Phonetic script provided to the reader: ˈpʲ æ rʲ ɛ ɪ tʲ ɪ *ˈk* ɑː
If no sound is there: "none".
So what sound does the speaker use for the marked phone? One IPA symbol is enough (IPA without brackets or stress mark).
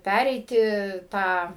t